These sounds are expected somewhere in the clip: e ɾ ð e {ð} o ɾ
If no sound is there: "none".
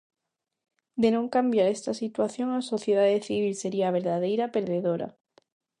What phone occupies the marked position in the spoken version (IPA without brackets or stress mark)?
ð